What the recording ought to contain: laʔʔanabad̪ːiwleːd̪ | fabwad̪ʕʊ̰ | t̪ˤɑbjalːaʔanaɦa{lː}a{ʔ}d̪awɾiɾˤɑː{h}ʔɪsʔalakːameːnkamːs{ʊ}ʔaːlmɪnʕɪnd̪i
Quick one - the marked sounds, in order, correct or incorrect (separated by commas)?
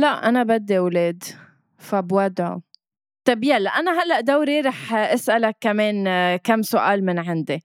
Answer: correct, correct, incorrect, correct